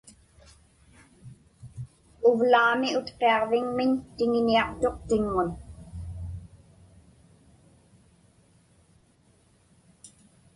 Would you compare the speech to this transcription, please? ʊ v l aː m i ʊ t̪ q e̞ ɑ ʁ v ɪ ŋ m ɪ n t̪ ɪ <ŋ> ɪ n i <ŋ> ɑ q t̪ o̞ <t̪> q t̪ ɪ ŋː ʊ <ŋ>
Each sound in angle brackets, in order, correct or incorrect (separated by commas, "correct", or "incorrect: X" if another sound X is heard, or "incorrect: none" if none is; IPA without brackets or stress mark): correct, incorrect: none, incorrect: none, incorrect: n